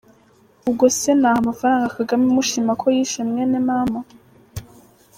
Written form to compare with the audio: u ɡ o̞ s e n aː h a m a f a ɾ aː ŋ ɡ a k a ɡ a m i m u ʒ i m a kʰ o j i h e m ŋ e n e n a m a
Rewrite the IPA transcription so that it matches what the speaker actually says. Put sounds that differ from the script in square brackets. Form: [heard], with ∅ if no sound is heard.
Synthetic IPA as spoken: u ɡ o̞ s e n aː h a m a f a ɾ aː ŋ ɡ a k a ɡ a m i m u [ʃ] i m a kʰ o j i [ʃ] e m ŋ e n e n a m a